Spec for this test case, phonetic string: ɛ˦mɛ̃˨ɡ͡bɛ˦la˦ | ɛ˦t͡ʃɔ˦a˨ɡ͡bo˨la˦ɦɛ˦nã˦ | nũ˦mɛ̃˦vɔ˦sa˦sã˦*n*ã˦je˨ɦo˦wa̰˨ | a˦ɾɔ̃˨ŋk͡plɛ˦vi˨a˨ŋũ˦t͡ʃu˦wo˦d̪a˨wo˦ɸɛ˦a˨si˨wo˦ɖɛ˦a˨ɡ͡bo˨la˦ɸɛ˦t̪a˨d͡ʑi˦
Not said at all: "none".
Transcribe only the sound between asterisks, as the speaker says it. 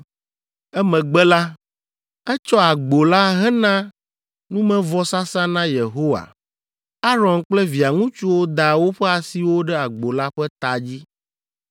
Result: n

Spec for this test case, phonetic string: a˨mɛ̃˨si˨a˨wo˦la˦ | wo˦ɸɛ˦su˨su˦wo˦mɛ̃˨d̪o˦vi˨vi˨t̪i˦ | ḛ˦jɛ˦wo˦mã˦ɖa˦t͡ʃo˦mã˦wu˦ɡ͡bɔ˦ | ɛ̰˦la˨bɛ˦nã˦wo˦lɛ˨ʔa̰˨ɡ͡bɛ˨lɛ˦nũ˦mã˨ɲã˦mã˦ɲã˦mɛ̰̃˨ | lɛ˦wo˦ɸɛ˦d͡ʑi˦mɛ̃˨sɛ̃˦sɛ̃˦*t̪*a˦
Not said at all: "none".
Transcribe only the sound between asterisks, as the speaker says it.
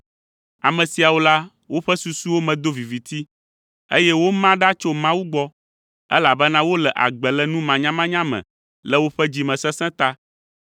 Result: t̪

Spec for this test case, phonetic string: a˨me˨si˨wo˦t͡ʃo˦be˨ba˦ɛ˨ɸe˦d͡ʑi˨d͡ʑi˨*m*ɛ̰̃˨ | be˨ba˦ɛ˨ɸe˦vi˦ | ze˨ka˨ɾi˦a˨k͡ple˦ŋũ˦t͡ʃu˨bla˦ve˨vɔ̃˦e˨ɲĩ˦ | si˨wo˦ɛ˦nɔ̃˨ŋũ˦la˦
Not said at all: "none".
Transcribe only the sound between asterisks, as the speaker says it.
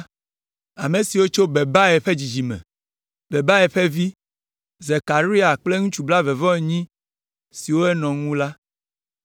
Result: m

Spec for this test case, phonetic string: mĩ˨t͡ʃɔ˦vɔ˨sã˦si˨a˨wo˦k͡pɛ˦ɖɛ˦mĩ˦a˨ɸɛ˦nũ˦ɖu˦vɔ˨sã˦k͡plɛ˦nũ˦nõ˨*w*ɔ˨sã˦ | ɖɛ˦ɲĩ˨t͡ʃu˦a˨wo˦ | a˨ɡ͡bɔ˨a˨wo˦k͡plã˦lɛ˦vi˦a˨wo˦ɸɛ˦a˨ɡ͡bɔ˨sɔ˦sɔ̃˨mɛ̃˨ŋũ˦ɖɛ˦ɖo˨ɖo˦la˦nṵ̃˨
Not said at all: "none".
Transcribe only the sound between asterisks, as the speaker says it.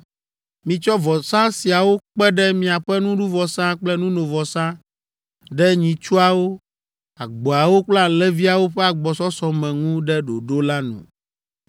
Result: v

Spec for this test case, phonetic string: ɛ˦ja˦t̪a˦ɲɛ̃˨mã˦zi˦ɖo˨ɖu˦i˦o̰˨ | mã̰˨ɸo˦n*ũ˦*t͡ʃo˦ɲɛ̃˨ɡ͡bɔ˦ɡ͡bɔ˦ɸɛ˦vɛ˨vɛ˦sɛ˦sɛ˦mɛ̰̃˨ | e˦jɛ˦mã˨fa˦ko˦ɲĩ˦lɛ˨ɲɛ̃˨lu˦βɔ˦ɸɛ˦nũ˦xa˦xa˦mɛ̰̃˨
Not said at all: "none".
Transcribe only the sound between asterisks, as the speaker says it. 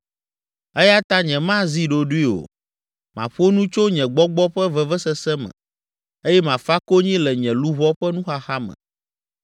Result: ũ˦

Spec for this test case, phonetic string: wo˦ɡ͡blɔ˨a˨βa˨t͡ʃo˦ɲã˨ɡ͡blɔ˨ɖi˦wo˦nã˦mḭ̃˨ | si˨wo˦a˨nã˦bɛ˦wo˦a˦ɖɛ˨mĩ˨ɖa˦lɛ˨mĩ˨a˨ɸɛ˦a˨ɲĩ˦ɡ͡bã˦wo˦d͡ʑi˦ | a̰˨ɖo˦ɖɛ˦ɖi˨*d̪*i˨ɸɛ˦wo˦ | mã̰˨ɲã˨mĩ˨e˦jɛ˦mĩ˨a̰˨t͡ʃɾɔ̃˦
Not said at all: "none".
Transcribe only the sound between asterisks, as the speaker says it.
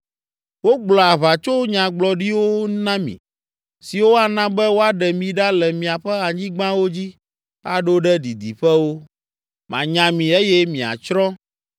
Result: d̪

